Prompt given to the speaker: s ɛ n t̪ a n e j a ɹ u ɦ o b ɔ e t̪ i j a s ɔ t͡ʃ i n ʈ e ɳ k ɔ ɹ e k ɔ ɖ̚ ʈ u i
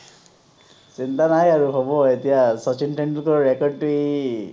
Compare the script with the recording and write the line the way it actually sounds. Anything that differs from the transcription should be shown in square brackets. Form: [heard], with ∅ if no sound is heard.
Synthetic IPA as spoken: s [i] n t̪ a n [a] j a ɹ u ɦ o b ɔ e t̪ i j a s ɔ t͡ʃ i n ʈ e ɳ k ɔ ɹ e k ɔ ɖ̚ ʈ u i

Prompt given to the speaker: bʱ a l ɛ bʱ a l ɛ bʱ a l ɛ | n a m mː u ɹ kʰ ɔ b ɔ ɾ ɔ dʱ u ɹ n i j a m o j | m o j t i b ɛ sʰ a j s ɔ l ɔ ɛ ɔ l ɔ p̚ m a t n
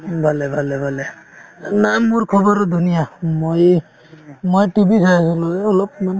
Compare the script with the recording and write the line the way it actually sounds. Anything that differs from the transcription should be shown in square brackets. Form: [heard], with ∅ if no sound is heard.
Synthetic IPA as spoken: bʱ a l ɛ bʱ a l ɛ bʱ a l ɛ | n a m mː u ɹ kʰ ɔ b ɔ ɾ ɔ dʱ u [∅] n i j a m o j | m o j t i b [i] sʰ a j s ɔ l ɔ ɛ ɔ l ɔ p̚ m a [∅] n

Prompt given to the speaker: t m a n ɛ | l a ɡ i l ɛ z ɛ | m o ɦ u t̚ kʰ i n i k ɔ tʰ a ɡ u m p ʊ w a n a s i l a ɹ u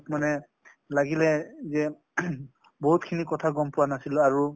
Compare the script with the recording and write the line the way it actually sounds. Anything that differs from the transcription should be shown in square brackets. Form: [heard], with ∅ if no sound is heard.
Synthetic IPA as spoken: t m a n ɛ | l a ɡ i l ɛ z ɛ | [b] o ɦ u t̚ kʰ i n i k ɔ tʰ a ɡ [ɔ] m p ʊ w a n a s i l a ɹ u

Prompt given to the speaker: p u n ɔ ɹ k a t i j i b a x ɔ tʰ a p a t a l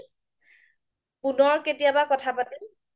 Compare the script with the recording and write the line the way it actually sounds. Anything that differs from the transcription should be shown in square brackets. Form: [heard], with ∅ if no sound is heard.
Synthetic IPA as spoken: p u n ɔ ɹ k [e] t i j [a] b a [k] ɔ tʰ a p a t [i] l

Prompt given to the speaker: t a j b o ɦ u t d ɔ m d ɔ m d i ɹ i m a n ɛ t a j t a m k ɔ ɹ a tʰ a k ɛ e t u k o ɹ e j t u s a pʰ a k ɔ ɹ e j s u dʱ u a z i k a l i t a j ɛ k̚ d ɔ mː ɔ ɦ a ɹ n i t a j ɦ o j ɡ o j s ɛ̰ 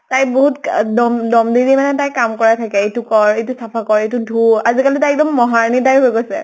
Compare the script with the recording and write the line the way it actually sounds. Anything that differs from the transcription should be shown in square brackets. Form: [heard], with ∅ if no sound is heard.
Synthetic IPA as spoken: t a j b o ɦ u t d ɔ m d ɔ m d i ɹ i m a n ɛ t a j [k] a m k ɔ ɹ a tʰ a k ɛ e t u k [ɔ] ɹ e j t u s a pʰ a k ɔ ɹ e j [t] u dʱ u a z i k a l i t a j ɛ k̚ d ɔ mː ɔ ɦ a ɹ n i t a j ɦ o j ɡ o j s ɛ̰

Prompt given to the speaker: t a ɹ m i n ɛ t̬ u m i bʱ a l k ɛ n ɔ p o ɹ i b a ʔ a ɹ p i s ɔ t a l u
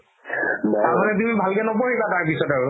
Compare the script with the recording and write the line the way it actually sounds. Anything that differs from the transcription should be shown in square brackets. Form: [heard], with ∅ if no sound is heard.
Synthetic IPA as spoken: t a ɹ m [a] n ɛ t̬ u m i bʱ a l k ɛ n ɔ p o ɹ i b a [t] a ɹ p i s ɔ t a [ɹ] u

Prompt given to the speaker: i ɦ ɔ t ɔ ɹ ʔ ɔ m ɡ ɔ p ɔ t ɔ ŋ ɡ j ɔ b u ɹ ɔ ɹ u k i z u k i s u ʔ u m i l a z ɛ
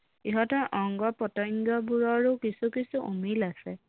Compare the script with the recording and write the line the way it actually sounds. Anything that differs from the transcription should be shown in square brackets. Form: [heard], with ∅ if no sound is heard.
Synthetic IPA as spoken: i ɦ ɔ t ɔ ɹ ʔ ɔ [ŋ] ɡ ɔ p ɔ t ɔ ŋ ɡ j ɔ b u ɹ ɔ ɹ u k i [s] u k i s u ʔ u m i l a [s] ɛ

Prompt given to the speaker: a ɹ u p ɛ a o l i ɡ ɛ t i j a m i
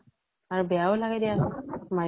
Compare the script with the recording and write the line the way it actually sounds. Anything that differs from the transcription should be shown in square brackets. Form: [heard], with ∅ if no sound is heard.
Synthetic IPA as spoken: a ɹ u [b] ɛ a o l [a] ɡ ɛ [d] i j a m [a]

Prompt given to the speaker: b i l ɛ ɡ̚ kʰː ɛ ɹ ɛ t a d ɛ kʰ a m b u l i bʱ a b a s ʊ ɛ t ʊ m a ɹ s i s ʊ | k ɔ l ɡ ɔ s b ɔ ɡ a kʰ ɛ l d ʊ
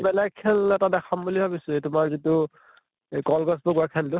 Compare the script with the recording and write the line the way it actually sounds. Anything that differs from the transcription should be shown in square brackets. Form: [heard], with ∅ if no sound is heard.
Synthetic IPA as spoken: b [ɛ] l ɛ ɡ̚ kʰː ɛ [l] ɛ t a d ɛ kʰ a m b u l i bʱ a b [i] s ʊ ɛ t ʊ m a ɹ [z] i [t] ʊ | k ɔ l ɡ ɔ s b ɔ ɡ a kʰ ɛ l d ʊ

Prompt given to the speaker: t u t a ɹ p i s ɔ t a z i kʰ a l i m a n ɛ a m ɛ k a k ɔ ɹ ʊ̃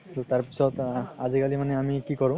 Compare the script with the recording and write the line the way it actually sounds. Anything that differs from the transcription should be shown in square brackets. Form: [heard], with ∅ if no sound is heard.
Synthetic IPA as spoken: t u t a ɹ p i s ɔ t a z i [k] a l i m a n ɛ a m [i] k [i] k ɔ ɹ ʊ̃

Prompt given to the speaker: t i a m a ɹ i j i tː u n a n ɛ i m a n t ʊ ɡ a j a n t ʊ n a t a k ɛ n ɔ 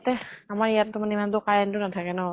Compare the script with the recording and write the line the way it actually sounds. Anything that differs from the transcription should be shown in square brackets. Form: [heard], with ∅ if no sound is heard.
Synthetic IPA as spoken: t [ɛ] a m a ɹ i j [a] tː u [m] a n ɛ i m a n t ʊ [k] a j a n t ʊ n a [tʰ] a k ɛ n ɔ

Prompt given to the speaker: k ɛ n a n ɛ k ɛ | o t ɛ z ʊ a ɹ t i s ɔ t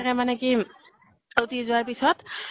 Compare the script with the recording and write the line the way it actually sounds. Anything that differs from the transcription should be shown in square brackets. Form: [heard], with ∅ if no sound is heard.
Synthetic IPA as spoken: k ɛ [m] a n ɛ k [i] | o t [i] z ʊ a ɹ [p] i s ɔ t

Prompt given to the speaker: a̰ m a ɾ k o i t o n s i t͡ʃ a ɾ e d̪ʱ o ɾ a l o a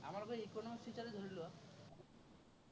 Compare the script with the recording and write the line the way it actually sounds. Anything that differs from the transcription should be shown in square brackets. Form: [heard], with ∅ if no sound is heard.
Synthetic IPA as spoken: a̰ m a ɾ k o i [k] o n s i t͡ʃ a ɾ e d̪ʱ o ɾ [i] l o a

